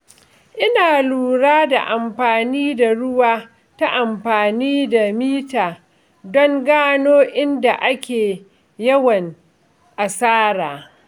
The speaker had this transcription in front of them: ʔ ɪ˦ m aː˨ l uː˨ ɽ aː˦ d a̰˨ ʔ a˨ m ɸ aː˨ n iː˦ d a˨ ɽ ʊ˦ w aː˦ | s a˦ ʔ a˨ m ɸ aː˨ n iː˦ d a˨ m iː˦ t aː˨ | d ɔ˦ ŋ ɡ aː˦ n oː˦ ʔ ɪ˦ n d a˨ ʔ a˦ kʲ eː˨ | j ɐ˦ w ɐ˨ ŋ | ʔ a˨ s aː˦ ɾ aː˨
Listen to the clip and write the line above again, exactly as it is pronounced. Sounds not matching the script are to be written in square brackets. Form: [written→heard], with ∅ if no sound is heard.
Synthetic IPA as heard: ʔ ɪ˦ [m→n] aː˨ l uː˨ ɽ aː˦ d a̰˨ ʔ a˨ m ɸ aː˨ n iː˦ d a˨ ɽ ʊ˦ w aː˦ | [s→t] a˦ ʔ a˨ m ɸ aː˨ n iː˦ d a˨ m iː˦ t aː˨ | d ɔ˦ ŋ ɡ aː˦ n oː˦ ʔ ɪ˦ n d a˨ ʔ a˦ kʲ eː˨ | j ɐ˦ w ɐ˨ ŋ | ʔ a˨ s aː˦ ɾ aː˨